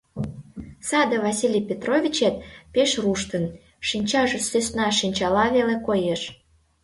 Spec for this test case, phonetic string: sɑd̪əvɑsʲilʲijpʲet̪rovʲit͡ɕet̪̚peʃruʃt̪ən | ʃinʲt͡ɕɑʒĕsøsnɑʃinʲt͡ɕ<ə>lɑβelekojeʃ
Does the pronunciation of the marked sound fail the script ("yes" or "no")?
yes